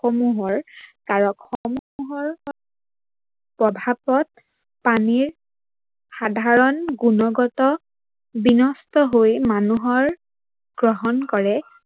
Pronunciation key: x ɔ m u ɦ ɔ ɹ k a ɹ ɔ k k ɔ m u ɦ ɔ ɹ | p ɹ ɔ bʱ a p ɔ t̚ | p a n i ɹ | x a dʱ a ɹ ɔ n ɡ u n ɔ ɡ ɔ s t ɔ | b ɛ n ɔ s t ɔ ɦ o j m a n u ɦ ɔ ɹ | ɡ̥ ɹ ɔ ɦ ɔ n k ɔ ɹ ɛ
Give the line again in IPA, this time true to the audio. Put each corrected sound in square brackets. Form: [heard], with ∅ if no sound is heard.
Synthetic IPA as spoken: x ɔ m u ɦ ɔ ɹ k a ɹ ɔ k [x] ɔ m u ɦ ɔ ɹ | p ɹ ɔ bʱ a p ɔ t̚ | p a n i ɹ | x a dʱ a ɹ ɔ n ɡ u n ɔ ɡ ɔ [∅] t ɔ | b [i] n ɔ s t ɔ ɦ o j m a n u ɦ ɔ ɹ | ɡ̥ ɹ ɔ ɦ ɔ n k ɔ ɹ ɛ